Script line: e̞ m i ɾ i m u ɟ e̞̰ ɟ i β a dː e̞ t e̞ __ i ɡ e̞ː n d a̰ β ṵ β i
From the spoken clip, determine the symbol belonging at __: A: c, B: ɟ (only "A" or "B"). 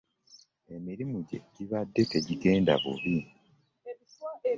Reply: B